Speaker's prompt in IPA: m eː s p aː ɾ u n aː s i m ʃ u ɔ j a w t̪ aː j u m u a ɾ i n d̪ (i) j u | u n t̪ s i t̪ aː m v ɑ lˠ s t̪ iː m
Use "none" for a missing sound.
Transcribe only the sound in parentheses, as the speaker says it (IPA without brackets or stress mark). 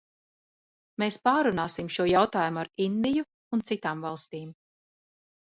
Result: i